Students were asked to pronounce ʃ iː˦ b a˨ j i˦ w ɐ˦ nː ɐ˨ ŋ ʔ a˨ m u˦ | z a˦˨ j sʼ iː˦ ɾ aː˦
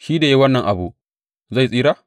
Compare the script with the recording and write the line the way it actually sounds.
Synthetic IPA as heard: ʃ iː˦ d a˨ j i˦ w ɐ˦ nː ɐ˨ ŋ ʔ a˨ b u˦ | z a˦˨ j sʼ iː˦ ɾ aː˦